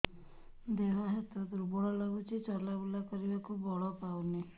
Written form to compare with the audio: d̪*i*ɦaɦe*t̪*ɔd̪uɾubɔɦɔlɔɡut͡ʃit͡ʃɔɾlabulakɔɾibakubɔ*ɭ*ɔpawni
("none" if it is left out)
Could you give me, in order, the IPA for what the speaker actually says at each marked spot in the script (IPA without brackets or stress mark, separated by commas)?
e, t̪, ɭ